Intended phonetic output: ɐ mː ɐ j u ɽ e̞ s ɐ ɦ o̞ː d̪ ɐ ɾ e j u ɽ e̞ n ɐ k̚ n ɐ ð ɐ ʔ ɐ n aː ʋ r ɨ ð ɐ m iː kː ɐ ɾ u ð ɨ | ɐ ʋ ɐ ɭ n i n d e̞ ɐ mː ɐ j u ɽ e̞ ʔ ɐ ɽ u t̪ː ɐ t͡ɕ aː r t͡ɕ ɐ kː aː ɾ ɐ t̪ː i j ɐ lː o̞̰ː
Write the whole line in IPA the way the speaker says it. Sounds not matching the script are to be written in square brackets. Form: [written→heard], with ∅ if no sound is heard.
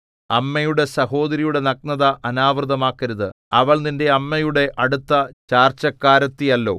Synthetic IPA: ɐ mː ɐ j u ɽ e̞ s ɐ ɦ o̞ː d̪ ɐ ɾ [e→i] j u ɽ e̞ n ɐ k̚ n ɐ ð ɐ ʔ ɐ n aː ʋ r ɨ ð ɐ m [iː→aː] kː ɐ ɾ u ð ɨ | ɐ ʋ ɐ ɭ n i n d e̞ ɐ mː ɐ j u ɽ e̞ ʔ ɐ ɽ u t̪ː ɐ t͡ɕ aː r t͡ɕ ɐ kː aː ɾ ɐ t̪ː i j ɐ lː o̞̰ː